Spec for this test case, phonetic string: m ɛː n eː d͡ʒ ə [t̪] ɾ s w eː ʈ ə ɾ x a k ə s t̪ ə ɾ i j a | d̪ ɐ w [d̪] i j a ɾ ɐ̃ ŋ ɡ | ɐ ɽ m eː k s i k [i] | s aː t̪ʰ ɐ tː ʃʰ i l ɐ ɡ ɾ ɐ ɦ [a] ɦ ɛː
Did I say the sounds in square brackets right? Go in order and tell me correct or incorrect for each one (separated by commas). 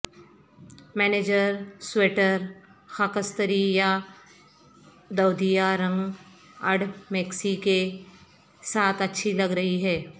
incorrect, correct, incorrect, incorrect